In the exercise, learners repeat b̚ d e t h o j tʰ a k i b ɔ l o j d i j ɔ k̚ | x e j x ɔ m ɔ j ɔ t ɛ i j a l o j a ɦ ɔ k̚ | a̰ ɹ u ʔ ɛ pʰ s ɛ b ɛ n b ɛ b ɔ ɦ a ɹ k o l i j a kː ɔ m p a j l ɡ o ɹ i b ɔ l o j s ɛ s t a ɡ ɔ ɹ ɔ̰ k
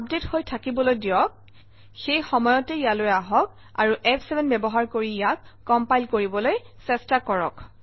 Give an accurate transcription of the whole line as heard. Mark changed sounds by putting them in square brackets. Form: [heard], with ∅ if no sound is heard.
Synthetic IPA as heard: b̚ d e t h o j tʰ a k i b ɔ l o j d i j ɔ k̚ | x e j x ɔ m ɔ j ɔ t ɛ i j a l o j a ɦ ɔ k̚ | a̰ ɹ u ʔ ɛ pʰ s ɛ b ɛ n b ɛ b ɔ ɦ a ɹ k o [ɹ] i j a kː ɔ m p a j l [k] o ɹ i b ɔ l o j s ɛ s t a [k] ɔ ɹ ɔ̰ k